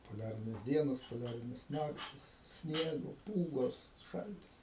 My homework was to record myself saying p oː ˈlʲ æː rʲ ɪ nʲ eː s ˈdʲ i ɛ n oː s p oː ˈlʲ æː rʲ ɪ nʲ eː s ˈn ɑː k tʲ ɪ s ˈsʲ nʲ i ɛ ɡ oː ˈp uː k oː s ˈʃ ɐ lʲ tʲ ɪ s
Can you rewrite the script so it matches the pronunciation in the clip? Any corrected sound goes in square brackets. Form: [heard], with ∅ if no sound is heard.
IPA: p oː ˈlʲ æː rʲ ɪ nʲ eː s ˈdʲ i ɛ n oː s p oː ˈlʲ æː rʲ ɪ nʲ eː s ˈn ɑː k tʲ ɪ s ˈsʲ nʲ i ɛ ɡ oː ˈp uː [ɡ] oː s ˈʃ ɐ lʲ tʲ ɪ s